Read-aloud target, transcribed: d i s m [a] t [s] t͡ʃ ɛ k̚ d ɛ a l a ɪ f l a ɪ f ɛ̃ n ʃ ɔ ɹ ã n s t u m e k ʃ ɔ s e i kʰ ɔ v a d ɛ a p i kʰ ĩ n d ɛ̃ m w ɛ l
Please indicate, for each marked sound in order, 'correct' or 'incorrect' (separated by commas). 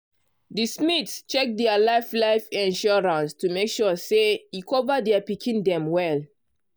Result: incorrect, correct